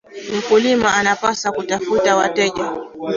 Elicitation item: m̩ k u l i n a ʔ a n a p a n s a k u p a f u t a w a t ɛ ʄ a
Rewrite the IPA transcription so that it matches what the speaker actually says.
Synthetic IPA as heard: m̩ k u l i m a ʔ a n a p a s a k u t a f u t a w a t ɛ ʄ a